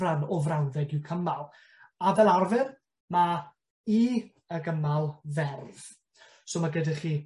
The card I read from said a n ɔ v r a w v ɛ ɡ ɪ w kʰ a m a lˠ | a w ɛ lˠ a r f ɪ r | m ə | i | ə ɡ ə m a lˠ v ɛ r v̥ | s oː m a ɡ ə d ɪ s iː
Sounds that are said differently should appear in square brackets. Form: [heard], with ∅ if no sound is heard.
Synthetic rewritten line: a n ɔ v r a w [ð] ɛ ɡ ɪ w kʰ [ə] m a lˠ | a [v] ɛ lˠ a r [v] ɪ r | m [a] | i | ə ɡ ə m a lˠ v ɛ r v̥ | s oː m a ɡ ə d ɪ [χ] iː